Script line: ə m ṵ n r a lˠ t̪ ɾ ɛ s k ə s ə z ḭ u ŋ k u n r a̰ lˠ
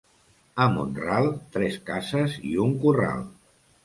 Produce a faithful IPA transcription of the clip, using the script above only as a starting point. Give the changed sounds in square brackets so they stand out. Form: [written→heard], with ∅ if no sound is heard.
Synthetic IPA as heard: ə m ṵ n r a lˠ t̪ ɾ ɛ s k [ə→a] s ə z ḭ u ŋ k u [n→∅] r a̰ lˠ